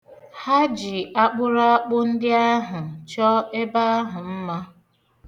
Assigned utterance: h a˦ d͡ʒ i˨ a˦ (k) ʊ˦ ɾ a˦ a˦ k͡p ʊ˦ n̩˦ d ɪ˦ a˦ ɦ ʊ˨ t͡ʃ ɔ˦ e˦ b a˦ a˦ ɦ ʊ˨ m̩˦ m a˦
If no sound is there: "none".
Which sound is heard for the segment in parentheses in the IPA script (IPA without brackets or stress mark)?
k͡p